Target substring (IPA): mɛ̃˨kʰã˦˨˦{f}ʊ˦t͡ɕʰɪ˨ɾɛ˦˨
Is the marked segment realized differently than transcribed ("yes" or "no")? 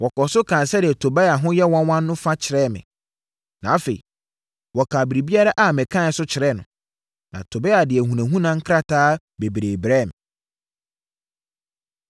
yes